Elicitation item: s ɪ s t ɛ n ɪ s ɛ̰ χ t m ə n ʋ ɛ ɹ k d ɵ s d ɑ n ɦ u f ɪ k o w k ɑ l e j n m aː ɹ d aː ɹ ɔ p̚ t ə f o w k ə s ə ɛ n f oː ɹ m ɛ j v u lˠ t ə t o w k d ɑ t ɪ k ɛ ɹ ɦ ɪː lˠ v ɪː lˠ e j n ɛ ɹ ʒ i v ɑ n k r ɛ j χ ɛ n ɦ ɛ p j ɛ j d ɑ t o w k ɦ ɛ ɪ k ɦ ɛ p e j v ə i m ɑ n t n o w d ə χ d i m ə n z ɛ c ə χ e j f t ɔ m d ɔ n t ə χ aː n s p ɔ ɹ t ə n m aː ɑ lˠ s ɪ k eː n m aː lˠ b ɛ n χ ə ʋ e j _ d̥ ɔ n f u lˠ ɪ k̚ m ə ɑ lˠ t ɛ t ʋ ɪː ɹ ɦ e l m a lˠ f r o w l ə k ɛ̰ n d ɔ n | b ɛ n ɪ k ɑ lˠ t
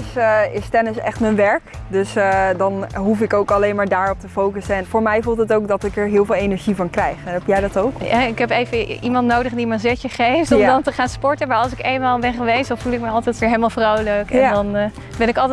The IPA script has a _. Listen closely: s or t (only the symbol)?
s